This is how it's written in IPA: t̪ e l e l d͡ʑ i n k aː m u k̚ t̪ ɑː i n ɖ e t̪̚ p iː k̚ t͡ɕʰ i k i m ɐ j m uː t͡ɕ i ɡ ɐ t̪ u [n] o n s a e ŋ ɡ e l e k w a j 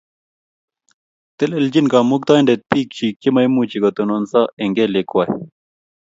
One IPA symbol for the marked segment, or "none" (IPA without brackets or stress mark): n